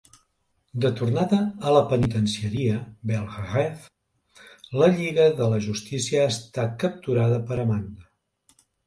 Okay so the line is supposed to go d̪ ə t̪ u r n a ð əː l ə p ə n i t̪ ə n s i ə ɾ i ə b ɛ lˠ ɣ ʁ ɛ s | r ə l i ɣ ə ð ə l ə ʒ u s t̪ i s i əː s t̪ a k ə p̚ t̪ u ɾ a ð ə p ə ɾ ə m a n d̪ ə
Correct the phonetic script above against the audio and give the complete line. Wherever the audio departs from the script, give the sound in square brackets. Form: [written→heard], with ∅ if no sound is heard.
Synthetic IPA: d̪ ə t̪ u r n a ð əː l ə p ə n i t̪ ə n s i ə ɾ i ə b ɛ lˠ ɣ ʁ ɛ [s→f] | [r→l] ə [l→ʎ] i ɣ ə ð ə l ə ʒ u s t̪ i s i əː s t̪ a k ə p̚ t̪ u ɾ a ð ə p ə ɾ ə m a n d̪ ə